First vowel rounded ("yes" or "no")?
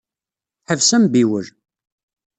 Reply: no